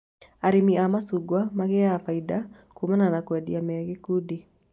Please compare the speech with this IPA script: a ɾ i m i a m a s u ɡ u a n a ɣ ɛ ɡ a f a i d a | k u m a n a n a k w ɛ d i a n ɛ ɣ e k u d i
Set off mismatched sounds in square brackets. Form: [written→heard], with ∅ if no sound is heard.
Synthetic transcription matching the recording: a ɾ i m i a m a s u ɡ [u→w] a [n→m] a ɣ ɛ [ɡ→∅] a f a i d a | k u m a n a n a k w ɛ d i a [n→m] ɛ ɣ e k u d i